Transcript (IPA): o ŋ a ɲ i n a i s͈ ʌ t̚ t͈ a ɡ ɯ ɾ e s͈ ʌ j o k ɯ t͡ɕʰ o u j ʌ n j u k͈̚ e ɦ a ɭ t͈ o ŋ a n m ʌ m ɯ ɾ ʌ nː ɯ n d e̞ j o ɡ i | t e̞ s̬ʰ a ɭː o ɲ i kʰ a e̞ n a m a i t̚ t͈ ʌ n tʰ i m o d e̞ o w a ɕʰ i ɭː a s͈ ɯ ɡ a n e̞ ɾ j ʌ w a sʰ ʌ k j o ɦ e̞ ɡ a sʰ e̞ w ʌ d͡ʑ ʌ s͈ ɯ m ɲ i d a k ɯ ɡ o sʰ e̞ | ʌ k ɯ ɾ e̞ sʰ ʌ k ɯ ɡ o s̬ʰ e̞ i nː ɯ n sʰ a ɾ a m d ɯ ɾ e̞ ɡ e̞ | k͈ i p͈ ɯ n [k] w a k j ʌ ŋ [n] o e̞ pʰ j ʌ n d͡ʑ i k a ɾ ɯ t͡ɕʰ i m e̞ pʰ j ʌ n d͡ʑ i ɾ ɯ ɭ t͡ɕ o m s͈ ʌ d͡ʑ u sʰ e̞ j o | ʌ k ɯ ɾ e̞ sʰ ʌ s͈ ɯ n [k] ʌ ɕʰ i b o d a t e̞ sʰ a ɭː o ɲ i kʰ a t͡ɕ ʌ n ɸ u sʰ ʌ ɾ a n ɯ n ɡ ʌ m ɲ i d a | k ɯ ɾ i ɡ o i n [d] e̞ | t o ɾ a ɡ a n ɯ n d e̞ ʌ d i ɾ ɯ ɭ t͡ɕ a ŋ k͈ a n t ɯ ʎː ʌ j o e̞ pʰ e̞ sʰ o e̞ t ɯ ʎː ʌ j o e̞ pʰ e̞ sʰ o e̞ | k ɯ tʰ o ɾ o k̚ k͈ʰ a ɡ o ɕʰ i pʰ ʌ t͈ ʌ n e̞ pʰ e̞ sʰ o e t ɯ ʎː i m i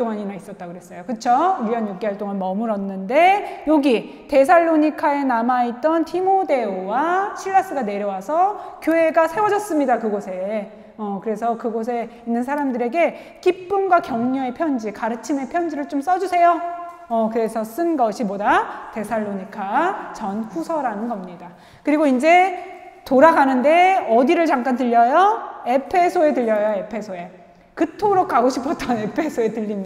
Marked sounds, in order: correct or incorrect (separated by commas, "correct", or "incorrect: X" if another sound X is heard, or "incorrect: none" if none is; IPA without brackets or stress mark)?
incorrect: ɡ, incorrect: ɲ, incorrect: ɡ, incorrect: d͡ʑ